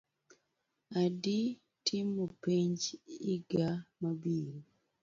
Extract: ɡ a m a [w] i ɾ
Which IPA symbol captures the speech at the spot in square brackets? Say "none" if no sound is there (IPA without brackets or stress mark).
b